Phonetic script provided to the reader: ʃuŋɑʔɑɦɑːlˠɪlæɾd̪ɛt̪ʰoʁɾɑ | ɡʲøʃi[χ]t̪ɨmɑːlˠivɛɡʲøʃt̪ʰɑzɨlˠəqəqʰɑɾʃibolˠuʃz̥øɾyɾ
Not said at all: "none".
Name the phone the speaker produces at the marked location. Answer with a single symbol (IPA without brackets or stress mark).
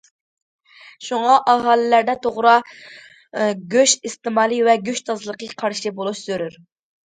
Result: s